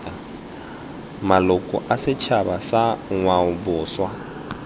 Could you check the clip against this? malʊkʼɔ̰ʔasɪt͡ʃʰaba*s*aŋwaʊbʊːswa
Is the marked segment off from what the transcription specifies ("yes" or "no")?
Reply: no